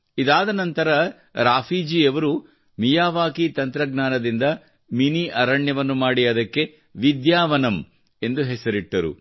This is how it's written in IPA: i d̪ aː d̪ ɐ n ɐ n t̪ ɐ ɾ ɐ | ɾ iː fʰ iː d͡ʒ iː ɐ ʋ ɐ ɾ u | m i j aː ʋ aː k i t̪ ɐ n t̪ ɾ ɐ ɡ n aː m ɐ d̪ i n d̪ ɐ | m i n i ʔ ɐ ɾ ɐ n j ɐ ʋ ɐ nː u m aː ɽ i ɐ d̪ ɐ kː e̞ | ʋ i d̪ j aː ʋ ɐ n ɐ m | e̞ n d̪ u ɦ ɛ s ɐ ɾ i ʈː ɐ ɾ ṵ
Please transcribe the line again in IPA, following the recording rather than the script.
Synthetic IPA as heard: i d̪ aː d̪ ɐ n ɐ n t̪ ɐ ɾ ɐ | ɾ aː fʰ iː d͡ʒ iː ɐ ʋ ɐ ɾ u | m i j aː ʋ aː k i t̪ ɐ n t̪ ɾ ɐ ɡ n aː n ɐ d̪ i n d̪ ɐ | m i n i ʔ ɐ ɾ ɐ ɳ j ɐ ʋ ɐ nː u m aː ɽ i ɐ d̪ ɐ kː e̞ | ʋ i d̪ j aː ʋ ɐ n ɐ m | e̞ n d̪ u ɦ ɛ s ɐ ɾ i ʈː ɐ ɾ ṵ